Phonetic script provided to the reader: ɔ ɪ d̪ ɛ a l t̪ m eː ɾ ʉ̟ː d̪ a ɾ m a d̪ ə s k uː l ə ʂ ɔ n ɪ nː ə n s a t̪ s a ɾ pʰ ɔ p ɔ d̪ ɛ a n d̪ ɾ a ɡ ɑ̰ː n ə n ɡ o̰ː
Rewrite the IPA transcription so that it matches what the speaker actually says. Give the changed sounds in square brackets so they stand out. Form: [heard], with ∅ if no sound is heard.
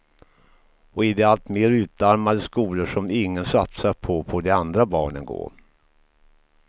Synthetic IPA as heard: ɔ ɪ d̪ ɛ a l t̪ m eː ɾ ʉ̟ː [t̪] a ɾ m a d̪ ə s k uː l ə ʂ ɔ [m] ɪ [ŋː] ə n s a t̪ s a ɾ pʰ ɔ [pʰ] ɔ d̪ ɛ a n d̪ ɾ a [b] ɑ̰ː [ɳ] ə n ɡ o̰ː